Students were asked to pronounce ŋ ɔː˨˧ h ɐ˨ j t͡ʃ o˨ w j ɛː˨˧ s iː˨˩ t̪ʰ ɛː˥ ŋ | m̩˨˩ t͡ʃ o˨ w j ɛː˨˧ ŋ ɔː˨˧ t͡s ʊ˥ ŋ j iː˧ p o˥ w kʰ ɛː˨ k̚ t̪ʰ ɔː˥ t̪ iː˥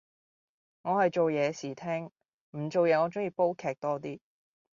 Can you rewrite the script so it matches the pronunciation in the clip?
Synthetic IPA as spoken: ŋ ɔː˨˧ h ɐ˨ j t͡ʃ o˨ w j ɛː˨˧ s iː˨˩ t̪ʰ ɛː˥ ŋ | m̩˨˩ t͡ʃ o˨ w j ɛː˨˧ ŋ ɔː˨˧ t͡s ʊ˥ ŋ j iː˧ p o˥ w kʰ ɛː˨ k̚ t̪ ɔː˥ t̪ iː˥